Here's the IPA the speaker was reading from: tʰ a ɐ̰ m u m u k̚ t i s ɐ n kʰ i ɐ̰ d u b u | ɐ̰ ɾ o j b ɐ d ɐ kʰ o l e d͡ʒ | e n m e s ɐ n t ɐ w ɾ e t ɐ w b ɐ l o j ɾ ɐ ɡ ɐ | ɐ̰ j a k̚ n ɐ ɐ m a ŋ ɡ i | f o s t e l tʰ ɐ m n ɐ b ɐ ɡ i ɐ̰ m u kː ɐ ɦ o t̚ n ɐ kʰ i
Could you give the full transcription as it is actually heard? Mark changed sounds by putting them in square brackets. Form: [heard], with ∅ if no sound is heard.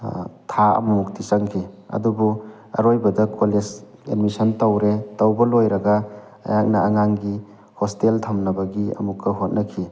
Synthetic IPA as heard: tʰ a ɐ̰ m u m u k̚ t i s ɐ [ŋ] kʰ i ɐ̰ d u b u | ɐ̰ ɾ o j b ɐ d ɐ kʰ o l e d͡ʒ | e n m [i] s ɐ n t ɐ w ɾ e t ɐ w b ɐ l o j ɾ ɐ ɡ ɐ | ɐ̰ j a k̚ n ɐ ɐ [ŋ] a ŋ ɡ i | [h] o s t e l tʰ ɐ m n ɐ b ɐ ɡ i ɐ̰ m u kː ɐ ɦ o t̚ n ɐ kʰ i